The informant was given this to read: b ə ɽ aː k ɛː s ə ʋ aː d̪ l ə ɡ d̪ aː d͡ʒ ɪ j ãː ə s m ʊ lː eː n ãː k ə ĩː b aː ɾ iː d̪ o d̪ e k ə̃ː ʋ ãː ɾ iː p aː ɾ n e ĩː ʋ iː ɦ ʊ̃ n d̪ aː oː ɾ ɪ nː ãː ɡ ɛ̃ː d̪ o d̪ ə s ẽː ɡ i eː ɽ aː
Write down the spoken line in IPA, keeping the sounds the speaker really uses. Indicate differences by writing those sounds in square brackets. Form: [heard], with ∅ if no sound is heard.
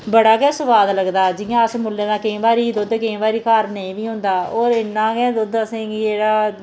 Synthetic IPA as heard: b ə ɽ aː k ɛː s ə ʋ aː d̪ l ə ɡ d̪ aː d͡ʒ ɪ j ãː ə s m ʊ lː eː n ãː k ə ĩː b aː ɾ iː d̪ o d̪ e k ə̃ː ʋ [aː] ɾ iː [k] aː ɾ n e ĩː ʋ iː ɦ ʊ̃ n d̪ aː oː ɾ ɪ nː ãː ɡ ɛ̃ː d̪ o d̪ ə s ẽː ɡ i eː ɽ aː